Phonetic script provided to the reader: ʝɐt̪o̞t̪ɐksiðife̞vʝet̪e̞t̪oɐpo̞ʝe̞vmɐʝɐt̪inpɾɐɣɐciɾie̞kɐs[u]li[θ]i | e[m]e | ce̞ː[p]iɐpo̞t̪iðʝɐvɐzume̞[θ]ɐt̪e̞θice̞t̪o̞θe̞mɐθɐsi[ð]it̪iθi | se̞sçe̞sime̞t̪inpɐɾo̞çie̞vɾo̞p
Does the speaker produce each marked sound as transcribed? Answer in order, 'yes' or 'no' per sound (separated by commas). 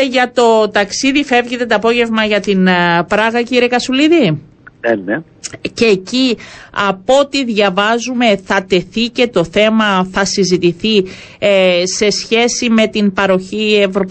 yes, no, no, no, yes, no